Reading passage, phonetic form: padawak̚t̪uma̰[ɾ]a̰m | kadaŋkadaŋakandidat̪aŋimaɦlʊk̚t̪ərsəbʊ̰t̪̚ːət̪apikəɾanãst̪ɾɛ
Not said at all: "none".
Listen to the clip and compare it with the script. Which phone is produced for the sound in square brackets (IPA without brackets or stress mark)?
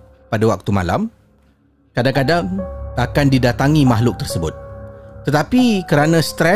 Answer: l